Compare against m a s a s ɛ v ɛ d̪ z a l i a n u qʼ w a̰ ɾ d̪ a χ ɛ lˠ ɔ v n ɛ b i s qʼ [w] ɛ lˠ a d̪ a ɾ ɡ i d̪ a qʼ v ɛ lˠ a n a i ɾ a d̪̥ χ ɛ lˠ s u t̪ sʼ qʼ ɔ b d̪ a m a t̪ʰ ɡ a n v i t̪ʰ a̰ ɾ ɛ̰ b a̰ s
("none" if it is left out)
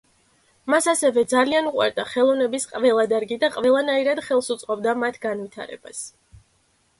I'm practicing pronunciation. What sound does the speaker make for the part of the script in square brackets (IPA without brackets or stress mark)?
v